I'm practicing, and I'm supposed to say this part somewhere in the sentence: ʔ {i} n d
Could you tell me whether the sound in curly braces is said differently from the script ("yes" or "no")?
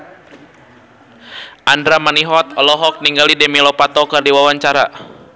yes